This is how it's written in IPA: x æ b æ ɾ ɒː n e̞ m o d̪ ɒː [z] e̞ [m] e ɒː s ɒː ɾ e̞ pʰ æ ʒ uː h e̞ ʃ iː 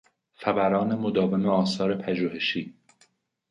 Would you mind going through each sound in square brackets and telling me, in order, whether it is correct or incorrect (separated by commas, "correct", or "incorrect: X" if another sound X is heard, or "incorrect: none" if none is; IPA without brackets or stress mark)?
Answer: incorrect: v, correct